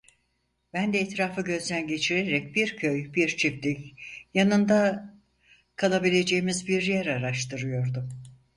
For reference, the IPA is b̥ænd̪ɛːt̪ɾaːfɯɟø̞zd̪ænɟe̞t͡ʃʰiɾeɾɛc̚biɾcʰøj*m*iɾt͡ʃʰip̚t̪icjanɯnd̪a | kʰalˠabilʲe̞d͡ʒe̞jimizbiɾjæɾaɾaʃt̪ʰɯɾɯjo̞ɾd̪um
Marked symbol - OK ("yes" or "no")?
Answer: no